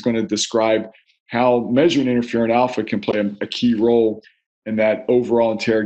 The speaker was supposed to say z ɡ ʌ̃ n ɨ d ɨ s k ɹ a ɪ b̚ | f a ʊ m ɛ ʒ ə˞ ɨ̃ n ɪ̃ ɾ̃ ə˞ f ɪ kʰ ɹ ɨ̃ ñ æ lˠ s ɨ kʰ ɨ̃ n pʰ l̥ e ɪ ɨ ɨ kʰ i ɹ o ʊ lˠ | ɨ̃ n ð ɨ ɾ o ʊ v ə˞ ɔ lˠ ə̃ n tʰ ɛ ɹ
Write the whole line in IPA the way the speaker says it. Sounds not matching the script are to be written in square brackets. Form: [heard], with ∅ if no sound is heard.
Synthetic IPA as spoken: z ɡ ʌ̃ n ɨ d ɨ s k ɹ a ɪ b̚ | [h] a ʊ m ɛ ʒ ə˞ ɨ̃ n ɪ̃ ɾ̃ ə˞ f ɪ [∅] ɹ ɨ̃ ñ æ lˠ [f] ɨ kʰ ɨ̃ n pʰ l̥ e ɪ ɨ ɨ kʰ i ɹ o ʊ lˠ | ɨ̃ n ð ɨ ɾ o ʊ v ə˞ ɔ lˠ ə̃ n tʰ ɛ ɹ